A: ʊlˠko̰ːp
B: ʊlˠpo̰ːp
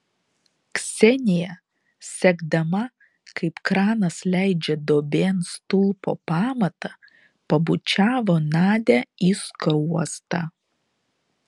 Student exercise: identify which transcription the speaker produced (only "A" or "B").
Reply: B